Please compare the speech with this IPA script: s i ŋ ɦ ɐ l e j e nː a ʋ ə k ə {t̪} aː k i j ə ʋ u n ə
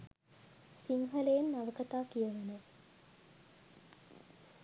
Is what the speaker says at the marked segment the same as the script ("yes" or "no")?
yes